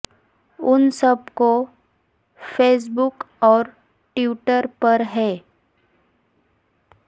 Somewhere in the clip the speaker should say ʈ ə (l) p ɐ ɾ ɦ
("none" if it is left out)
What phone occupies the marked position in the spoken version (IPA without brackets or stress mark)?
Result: ɾ